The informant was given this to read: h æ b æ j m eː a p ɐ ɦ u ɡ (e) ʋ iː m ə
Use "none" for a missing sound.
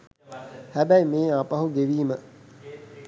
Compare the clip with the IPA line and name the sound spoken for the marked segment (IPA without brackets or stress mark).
e